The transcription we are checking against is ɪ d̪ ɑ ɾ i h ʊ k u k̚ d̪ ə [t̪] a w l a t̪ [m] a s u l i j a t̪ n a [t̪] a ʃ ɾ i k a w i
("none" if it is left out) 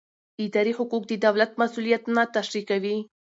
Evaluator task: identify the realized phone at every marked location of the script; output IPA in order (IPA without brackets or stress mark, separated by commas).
d̪, m, t̪